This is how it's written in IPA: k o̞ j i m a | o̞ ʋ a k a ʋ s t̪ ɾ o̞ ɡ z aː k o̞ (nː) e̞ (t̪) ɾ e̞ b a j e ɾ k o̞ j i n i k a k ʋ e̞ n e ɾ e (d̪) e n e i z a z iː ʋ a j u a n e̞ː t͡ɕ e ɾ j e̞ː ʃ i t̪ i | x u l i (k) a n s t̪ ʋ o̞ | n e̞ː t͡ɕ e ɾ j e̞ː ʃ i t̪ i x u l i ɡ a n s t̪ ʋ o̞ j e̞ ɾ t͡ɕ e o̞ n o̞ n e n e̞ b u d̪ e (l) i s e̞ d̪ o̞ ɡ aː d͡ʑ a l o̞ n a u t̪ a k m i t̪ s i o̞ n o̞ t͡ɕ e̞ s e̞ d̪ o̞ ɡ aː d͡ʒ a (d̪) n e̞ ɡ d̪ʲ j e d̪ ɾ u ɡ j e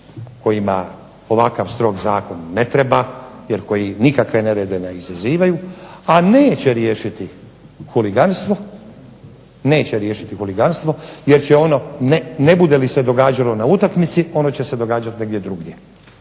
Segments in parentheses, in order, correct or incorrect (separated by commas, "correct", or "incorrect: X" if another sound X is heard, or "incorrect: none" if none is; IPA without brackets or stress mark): correct, correct, correct, incorrect: ɡ, correct, incorrect: t̪